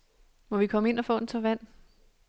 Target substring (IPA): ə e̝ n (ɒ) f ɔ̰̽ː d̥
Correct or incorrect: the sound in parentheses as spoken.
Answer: correct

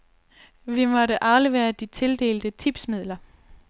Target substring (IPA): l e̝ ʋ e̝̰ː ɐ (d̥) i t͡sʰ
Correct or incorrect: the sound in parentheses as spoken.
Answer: correct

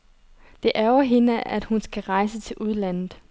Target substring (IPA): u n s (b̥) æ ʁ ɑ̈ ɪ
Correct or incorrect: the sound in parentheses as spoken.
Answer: incorrect: ɡ̥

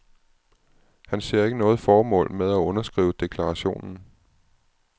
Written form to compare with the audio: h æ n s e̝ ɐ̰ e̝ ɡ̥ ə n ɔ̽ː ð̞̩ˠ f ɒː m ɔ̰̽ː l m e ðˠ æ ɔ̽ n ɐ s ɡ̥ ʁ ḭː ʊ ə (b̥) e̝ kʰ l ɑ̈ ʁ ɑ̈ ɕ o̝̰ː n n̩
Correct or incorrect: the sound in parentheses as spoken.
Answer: incorrect: d̥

